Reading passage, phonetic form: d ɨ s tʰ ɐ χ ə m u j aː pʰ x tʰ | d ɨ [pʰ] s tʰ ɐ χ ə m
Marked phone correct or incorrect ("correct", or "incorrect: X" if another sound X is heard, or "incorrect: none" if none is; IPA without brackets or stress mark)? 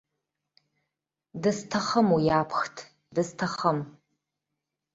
incorrect: none